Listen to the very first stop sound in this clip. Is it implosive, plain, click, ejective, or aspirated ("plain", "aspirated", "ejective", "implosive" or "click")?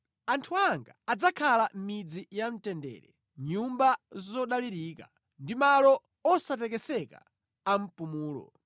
aspirated